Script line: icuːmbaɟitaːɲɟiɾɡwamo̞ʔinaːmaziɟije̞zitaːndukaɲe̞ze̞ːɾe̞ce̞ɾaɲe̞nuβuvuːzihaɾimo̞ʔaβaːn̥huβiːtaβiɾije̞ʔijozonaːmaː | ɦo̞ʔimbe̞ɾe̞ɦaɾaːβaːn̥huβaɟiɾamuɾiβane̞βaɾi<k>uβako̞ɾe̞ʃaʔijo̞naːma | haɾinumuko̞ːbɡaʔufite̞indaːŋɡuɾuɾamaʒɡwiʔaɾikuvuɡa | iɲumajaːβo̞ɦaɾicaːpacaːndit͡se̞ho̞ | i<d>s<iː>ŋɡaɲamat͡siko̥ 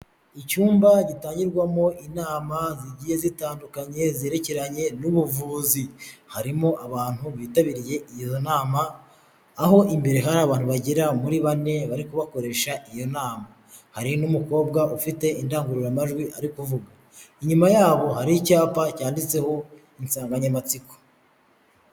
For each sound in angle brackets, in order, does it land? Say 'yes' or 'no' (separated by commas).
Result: yes, no, no